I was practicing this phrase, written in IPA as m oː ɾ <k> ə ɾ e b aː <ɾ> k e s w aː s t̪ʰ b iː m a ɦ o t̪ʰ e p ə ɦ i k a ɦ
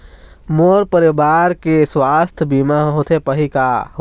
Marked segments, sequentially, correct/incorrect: incorrect: p, correct

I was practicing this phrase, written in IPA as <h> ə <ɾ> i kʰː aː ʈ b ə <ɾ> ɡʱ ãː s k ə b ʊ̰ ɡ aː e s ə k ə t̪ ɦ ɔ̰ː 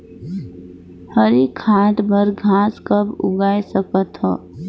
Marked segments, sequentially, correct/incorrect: correct, correct, correct

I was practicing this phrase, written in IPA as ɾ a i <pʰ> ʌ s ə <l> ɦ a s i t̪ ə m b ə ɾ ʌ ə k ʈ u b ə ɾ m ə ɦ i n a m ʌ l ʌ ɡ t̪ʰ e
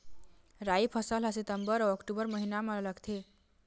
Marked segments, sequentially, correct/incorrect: correct, correct

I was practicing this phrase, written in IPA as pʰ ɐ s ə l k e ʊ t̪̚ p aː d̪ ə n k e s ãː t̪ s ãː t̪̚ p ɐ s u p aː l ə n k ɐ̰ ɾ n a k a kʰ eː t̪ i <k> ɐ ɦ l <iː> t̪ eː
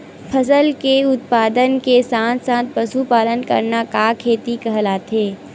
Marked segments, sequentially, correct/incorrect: correct, incorrect: aː

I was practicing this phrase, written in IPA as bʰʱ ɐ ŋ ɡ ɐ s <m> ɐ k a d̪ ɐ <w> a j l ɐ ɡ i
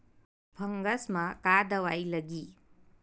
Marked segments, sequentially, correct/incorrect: correct, correct

